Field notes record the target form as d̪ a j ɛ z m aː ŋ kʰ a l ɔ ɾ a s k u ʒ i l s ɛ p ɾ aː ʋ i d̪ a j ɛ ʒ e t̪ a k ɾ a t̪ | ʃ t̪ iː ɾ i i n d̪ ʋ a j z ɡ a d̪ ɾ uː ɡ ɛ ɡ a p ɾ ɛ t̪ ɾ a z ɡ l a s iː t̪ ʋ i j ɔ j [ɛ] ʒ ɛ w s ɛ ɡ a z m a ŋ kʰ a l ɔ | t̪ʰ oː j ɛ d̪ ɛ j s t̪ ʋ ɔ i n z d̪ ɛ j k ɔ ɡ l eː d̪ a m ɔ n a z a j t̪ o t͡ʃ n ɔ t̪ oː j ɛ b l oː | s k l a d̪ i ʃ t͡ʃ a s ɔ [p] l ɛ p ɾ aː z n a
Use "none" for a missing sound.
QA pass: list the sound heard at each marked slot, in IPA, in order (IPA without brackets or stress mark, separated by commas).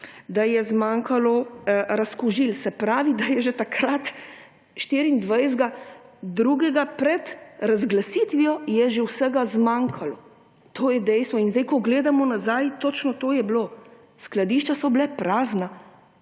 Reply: ɛ, b